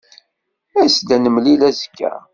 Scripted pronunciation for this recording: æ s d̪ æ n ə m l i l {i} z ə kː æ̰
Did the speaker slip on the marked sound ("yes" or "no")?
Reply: yes